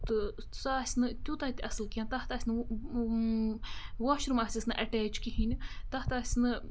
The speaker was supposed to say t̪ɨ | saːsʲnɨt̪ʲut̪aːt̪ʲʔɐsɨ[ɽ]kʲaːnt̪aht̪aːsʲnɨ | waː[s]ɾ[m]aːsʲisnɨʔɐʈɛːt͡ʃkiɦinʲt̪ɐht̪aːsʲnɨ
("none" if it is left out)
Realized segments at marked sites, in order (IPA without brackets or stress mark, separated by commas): l, ʃ, m